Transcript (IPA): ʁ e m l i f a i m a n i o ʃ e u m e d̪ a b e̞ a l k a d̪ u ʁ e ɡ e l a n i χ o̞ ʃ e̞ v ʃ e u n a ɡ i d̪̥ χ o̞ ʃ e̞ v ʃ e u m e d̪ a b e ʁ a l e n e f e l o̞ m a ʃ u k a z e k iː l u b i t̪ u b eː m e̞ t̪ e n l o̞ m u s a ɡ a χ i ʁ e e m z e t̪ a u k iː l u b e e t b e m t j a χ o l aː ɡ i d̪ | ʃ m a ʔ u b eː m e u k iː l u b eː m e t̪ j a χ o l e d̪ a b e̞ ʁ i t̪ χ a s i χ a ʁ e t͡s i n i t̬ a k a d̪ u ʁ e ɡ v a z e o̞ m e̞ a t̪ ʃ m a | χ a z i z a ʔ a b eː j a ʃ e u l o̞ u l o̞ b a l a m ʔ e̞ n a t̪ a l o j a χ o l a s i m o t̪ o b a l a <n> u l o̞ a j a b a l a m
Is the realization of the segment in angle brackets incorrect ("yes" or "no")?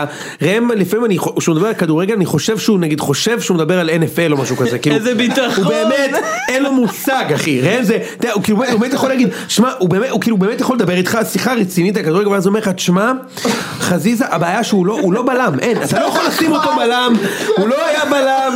yes